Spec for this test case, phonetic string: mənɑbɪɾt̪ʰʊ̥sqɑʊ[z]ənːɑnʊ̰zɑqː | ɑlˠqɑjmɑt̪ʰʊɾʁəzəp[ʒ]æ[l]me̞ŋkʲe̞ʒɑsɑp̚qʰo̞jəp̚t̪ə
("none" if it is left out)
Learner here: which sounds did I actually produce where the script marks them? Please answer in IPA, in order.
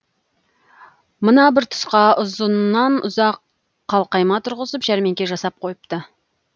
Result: z, ʒ, ɾ

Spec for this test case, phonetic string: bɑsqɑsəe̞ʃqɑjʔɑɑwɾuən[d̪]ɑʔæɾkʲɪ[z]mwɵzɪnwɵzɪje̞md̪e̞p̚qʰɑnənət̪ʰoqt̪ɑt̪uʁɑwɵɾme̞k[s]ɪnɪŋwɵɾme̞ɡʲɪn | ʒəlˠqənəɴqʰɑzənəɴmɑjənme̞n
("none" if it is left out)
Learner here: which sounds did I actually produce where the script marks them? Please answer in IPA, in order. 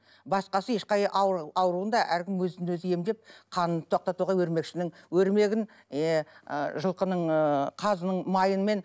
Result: d̪, none, ʃ

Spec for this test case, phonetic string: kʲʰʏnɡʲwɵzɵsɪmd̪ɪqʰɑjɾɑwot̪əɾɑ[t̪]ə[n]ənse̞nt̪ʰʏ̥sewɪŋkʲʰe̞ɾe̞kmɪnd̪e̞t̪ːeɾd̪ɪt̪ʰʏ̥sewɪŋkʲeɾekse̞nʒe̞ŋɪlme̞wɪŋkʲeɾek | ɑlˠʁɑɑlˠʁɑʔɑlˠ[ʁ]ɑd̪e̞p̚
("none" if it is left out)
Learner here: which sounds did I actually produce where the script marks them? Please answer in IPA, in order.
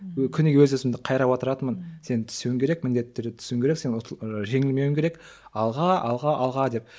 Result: t̪, m, ʁ

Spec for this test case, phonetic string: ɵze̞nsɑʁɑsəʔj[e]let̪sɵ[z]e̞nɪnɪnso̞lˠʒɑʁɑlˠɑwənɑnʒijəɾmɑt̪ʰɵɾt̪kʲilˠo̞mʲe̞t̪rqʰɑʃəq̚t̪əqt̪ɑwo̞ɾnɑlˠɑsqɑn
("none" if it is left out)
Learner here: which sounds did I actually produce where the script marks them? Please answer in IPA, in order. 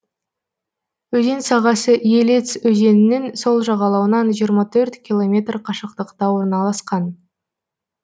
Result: e, z

